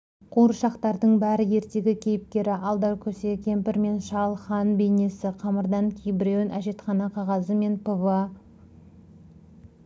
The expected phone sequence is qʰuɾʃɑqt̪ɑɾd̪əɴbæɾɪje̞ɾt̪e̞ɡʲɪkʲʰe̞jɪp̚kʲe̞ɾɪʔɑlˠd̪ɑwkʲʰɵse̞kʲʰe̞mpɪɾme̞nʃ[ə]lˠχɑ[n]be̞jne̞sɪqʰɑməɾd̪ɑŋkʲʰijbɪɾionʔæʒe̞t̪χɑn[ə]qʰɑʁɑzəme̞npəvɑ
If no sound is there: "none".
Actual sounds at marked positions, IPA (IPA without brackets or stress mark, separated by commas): ɑ, n, ɑ